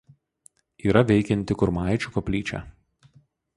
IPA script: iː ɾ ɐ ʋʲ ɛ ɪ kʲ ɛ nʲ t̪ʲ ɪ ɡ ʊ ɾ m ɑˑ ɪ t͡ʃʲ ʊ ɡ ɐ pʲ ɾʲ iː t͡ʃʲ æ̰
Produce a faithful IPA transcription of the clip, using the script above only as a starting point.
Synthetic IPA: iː ɾ ɐ ʋʲ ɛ ɪ kʲ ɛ nʲ t̪ʲ ɪ k ʊ ɾ m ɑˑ ɪ t͡ʃʲ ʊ k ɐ pʲ lʲ iː t͡ʃʲ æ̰